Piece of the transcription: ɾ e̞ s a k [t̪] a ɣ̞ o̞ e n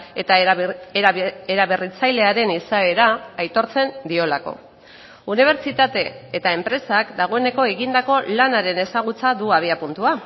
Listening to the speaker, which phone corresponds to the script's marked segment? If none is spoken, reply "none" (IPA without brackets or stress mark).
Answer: d̪